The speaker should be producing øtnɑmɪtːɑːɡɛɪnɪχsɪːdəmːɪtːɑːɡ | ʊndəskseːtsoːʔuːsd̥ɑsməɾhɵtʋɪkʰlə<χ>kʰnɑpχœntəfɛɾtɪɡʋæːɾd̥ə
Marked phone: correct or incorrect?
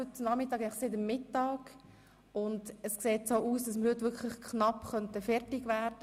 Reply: correct